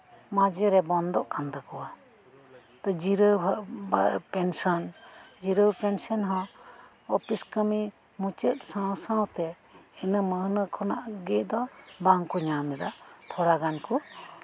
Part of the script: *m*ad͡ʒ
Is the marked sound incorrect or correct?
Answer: correct